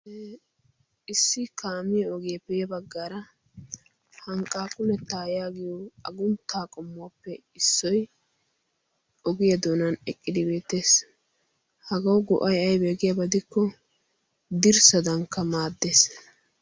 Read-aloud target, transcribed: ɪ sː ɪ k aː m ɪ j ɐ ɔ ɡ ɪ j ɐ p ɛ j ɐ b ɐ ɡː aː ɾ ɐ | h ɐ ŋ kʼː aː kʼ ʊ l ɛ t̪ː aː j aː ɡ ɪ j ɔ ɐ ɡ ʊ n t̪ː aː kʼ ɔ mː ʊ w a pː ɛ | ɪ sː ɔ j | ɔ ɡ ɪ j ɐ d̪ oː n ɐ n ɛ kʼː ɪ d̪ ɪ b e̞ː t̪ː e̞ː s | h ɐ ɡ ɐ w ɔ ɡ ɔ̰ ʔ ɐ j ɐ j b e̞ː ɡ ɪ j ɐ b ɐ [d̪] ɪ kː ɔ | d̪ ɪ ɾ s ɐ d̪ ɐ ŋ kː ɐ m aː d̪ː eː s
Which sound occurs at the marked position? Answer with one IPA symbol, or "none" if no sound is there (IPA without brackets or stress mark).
d̪